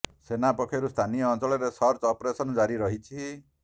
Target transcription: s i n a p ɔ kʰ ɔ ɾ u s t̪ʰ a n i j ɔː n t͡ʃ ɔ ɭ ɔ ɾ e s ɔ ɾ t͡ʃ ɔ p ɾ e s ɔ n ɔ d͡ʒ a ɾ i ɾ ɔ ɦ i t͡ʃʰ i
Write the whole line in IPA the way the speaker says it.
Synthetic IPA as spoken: s e n a p ɔ kʰ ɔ ɾ u s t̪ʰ a n i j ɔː n t͡ʃ ɔ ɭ ɔ ɾ e s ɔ ɾ t͡ʃ ɔ p ɾ e s ɔ n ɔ d͡ʒ a ɾ i ɾ ɔ ɦ i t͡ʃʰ i